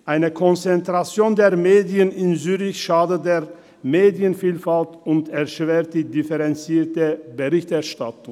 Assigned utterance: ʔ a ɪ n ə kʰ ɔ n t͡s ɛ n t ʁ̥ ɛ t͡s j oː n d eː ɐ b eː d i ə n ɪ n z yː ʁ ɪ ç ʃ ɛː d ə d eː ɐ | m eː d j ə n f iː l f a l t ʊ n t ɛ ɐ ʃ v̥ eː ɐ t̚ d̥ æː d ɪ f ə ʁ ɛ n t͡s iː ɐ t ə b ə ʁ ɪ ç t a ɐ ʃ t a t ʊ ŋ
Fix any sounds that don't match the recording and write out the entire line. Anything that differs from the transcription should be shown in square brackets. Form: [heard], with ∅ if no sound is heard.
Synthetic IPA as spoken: ʔ a ɪ n ə kʰ ɔ n t͡s ɛ n t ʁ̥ [a] t͡s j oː n d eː ɐ [m] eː d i ə n ɪ n z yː ʁ ɪ ç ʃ [aː] d ə d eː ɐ | m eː d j ə n f iː l f a l t ʊ n t ɛ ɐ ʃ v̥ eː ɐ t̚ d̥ [iː] d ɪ f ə ʁ ɛ n t͡s iː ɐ t ə b ə ʁ ɪ ç t [ɛ] ɐ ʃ t a t ʊ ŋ